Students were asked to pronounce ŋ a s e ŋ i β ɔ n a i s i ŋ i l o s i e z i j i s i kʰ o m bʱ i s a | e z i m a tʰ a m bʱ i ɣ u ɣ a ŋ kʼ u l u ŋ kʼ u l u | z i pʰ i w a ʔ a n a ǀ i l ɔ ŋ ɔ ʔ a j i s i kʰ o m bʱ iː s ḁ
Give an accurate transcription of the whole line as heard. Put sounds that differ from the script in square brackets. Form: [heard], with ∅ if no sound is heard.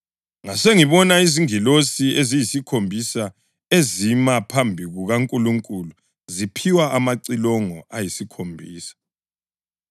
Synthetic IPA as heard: ŋ a s e ŋ i β ɔ n a i [z] i ŋ i l o s i e z i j i s i kʰ o m bʱ i s a | e z i m a [pʰ] a m bʱ i ɣ u ɣ a ŋ kʼ u l u ŋ kʼ u l u | z i pʰ i w a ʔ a [m] a ǀ i l ɔ ŋ ɔ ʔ a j i s i kʰ o m bʱ iː s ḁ